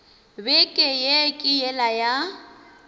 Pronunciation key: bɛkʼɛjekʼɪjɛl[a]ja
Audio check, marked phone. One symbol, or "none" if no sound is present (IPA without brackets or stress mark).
a